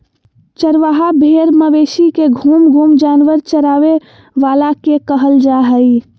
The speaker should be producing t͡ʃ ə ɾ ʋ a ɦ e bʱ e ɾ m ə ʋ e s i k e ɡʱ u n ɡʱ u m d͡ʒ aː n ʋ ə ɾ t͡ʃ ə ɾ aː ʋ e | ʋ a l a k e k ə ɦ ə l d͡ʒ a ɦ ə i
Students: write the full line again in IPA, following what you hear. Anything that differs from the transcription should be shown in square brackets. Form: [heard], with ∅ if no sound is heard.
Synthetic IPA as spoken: t͡ʃ ə ɾ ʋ a ɦ [a] bʱ e ɾ m ə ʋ e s i k e ɡʱ u [m] ɡʱ u m d͡ʒ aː n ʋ ə ɾ t͡ʃ ə ɾ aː ʋ e | ʋ a l a k e k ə ɦ ə l d͡ʒ a ɦ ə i